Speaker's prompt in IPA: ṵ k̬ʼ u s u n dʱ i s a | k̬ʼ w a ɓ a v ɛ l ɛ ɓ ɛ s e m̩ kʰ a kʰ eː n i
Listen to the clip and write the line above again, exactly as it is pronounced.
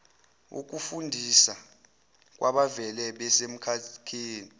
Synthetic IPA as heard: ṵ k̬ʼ u f u n dʱ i s a | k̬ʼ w a ɓ a v ɛ l ɛ ɓ ɛ s e m̩ kʰ a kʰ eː n i